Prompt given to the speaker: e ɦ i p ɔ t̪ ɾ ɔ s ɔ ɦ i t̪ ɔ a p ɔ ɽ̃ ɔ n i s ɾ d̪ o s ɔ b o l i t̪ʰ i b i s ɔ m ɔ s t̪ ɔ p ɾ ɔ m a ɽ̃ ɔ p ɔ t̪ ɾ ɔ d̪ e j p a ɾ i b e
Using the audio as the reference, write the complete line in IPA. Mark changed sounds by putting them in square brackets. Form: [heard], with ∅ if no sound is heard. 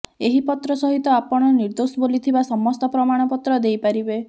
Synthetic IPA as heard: e ɦ i p ɔ t̪ ɾ ɔ s ɔ ɦ i t̪ ɔ a p ɔ ɽ̃ ɔ n i [∅] ɾ d̪ o s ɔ b o l i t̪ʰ i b [a] s ɔ m ɔ s t̪ ɔ p ɾ ɔ m a ɽ̃ ɔ p ɔ t̪ ɾ ɔ d̪ e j p a ɾ i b e